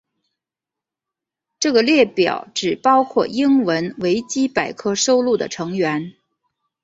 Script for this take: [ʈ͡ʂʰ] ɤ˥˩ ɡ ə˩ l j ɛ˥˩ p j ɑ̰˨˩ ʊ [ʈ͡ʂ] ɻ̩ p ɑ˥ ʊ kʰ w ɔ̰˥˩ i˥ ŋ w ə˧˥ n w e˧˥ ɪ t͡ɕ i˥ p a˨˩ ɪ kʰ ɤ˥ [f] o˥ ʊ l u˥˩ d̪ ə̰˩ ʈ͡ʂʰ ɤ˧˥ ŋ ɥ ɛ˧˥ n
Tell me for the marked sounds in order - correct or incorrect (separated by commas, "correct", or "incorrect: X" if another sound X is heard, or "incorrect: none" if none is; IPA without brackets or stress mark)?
incorrect: ʈ͡ʂ, correct, incorrect: ʂ